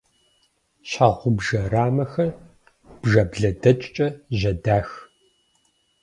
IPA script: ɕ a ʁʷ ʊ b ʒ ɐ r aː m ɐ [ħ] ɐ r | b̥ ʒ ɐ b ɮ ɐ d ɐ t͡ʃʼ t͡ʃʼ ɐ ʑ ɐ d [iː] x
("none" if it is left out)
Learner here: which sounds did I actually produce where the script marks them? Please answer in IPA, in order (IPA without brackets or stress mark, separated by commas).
x, aː